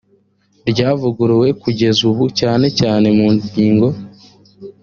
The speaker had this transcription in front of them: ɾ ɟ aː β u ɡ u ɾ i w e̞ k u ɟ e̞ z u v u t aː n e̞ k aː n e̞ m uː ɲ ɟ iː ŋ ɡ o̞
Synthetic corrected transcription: ɾ ɟ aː v u ɡ u ɾ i w e̞ k u ɟ e̞ z u β u c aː n e̞ c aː n e̞ m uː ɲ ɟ iː ŋ ɡ o̞